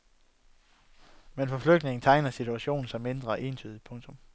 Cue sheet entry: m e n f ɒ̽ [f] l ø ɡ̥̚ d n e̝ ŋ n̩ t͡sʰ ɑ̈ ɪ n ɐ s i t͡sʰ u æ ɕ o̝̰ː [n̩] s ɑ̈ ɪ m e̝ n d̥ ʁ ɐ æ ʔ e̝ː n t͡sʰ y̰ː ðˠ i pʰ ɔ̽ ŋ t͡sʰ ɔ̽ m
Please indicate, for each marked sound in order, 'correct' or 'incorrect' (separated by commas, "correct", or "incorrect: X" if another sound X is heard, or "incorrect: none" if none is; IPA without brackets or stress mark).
correct, correct